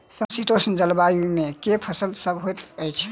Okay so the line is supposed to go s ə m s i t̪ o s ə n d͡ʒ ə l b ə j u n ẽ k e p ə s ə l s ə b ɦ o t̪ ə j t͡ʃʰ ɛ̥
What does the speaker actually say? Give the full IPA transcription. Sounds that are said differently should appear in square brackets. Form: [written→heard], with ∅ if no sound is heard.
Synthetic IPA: s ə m s i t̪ o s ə n d͡ʒ ə l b [ə→a] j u [n→m] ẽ k e [p→pʰ] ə s ə l s ə b ɦ o t̪ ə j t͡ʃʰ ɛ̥